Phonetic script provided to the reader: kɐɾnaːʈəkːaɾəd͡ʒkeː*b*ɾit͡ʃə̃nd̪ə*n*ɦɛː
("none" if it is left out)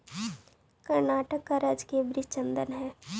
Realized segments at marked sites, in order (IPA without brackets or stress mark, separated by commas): b, n